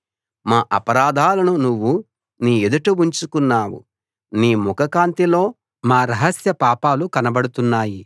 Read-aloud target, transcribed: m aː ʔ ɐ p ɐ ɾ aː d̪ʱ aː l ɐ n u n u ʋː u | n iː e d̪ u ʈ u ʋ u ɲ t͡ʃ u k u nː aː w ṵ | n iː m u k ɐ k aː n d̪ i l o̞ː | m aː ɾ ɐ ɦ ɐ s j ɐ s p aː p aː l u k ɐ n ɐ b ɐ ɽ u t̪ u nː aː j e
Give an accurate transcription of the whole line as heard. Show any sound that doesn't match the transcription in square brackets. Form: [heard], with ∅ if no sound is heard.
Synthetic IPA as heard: m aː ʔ ɐ p ɐ ɾ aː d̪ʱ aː l ɐ n u n u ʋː u | n iː e d̪ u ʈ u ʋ u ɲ t͡ʃ u k u nː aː w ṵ | n iː m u k ɐ k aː n [t̪] i l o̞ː | m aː ɾ ɐ ɦ ɐ s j ɐ [∅] p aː p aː l u k ɐ n ɐ b ɐ ɽ u t̪ u nː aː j [i]